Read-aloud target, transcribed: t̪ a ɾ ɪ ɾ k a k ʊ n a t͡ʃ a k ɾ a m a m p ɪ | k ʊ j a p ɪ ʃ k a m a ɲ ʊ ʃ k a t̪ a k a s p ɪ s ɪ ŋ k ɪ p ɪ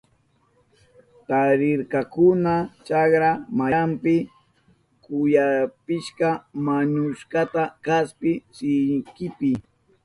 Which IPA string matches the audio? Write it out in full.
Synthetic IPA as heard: t̪ a ɾ ɪ ɾ k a k ʊ n a t͡ʃ a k ɾ a m a m p ɪ | k ʊ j a p ɪ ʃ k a m a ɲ ʊ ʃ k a t̪ a k a s p ɪ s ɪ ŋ k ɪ p ɪ